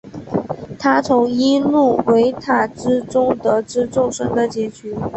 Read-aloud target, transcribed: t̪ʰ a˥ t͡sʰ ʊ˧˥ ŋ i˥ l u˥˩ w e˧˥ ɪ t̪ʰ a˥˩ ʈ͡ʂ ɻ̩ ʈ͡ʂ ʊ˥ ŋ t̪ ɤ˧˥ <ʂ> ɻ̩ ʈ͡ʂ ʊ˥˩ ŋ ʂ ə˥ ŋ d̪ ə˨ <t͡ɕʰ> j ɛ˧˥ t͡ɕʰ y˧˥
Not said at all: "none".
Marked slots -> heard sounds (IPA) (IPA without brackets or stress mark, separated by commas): ʈ͡ʂ, t͡ɕ